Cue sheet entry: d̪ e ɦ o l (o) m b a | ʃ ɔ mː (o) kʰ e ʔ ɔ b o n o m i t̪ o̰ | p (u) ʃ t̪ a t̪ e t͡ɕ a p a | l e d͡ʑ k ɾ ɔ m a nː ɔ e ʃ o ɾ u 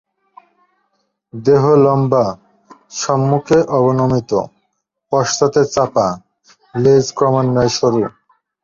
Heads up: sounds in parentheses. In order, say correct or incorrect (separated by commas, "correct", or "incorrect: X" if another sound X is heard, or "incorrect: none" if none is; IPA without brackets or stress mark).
incorrect: ɔ, incorrect: u, incorrect: ɔ